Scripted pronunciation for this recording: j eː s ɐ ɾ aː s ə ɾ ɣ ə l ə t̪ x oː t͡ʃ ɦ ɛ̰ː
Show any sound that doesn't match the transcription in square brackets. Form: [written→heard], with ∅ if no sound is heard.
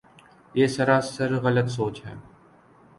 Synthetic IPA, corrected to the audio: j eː s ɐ ɾ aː s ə ɾ ɣ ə l ə t̪ [x→s] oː t͡ʃ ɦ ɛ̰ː